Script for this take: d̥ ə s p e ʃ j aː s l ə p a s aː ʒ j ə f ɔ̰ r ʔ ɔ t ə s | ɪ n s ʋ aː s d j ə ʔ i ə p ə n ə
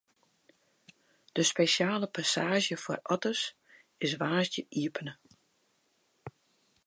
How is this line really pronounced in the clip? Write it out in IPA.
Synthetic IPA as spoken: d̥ ə s p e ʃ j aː l ə p a s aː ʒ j ə f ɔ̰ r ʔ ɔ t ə s | ɪ s ʋ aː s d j ə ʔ i ə p ə n ə